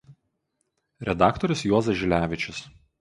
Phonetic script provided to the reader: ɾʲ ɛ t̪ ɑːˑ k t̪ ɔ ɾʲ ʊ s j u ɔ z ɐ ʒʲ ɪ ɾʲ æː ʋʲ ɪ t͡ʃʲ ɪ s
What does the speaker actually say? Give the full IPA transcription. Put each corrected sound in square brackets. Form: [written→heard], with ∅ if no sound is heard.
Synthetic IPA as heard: ɾʲ ɛ [t̪→d̪] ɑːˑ k t̪ ɔ ɾʲ ʊ s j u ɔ z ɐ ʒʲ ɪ [ɾʲ→lʲ] æː ʋʲ ɪ t͡ʃʲ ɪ s